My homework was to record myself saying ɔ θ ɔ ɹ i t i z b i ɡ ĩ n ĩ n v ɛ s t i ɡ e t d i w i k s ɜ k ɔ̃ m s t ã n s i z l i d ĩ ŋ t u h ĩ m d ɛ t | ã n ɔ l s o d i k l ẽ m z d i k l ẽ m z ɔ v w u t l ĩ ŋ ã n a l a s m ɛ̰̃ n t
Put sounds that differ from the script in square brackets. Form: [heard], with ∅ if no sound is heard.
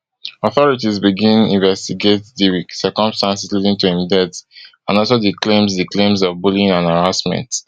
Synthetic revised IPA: ɔ θ ɔ ɹ i t i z b i ɡ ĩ n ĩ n v ɛ s t i ɡ e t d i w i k s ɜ k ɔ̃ m s t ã n s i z l i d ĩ ŋ t u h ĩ m d ɛ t | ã n ɔ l s o d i k l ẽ m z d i k l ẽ m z ɔ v [b] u [∅] l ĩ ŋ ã n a [ɹ] a s m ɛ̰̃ n t